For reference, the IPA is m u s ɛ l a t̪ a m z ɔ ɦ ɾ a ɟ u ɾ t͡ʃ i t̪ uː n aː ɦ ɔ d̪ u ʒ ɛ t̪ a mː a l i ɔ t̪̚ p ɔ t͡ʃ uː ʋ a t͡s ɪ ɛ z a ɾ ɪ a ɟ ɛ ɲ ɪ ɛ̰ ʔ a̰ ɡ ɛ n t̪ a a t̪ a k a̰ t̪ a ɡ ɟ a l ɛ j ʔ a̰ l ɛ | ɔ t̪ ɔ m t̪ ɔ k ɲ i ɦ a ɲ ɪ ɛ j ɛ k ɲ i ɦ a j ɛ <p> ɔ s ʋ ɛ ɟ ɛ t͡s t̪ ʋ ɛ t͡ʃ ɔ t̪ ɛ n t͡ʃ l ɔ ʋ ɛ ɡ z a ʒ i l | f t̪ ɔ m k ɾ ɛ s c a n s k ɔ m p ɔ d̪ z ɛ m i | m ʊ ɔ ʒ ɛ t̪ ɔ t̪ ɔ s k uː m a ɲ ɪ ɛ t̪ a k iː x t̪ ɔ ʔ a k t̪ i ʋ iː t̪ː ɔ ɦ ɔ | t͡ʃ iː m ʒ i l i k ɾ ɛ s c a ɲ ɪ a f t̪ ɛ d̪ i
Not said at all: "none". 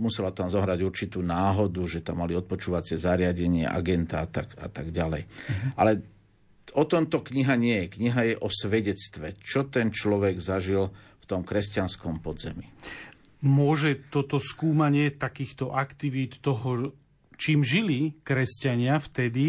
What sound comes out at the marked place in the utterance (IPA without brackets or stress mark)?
ʔ